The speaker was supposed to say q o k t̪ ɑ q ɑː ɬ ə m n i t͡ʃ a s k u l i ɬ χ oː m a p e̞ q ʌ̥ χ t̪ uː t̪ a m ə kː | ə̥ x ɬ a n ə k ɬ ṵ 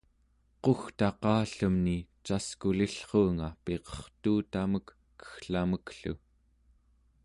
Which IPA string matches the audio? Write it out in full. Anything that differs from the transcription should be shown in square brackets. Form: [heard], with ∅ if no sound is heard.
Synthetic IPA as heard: q o [x] t̪ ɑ q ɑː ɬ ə m n i t͡ʃ a s k u l i ɬ χ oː [ŋ] a p e̞ q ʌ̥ χ t̪ uː t̪ a m ə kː | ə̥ x ɬ a [m] ə k ɬ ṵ